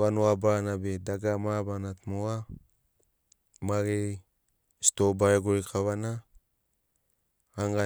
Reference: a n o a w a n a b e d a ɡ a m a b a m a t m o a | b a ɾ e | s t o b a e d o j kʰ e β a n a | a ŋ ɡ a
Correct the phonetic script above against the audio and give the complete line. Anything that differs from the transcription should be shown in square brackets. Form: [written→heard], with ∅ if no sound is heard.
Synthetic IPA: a n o a [w→b] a n a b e d a ɡ a m a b a [m→n] a t m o a | [b→m] a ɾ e | s t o b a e [d→ɡ] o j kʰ [e→a] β a n a | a ŋ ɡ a